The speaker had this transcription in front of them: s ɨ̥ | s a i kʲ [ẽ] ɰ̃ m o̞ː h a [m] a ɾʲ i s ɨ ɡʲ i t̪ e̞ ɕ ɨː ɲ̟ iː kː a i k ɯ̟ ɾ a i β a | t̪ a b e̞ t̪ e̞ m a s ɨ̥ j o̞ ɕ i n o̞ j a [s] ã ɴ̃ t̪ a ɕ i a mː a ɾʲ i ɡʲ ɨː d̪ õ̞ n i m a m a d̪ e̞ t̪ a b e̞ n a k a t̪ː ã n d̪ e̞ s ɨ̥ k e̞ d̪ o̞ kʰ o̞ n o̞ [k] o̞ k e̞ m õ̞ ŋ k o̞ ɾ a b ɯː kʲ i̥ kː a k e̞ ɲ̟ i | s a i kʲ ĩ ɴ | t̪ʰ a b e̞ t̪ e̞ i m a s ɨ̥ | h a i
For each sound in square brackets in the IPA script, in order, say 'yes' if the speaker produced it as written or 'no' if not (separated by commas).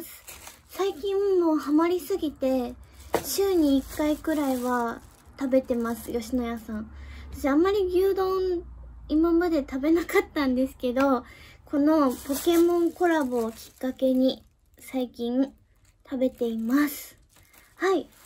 no, yes, yes, no